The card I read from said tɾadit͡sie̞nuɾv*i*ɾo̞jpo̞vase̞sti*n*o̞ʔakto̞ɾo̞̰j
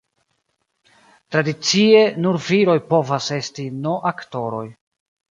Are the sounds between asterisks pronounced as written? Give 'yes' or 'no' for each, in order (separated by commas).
yes, yes